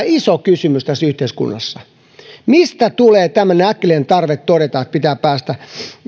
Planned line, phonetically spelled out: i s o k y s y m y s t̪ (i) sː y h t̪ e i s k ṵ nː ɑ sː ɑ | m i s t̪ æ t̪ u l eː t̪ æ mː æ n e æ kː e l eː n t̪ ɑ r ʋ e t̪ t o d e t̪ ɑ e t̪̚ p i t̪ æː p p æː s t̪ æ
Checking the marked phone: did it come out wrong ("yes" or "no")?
yes